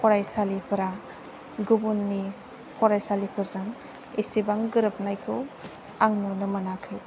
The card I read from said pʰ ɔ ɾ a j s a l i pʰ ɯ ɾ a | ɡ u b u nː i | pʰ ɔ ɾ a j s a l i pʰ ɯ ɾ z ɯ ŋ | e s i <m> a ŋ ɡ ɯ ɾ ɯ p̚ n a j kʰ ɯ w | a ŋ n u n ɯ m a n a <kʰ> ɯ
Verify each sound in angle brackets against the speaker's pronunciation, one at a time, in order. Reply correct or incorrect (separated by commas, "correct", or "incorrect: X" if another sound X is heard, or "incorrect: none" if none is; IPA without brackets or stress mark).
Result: incorrect: b, correct